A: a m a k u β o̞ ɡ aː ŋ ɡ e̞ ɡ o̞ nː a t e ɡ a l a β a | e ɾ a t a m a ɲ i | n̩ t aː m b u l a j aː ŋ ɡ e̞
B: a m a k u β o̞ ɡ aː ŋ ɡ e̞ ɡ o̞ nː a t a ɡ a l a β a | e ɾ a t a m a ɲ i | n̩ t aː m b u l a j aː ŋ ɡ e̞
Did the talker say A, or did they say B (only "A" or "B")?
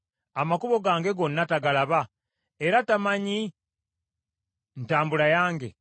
B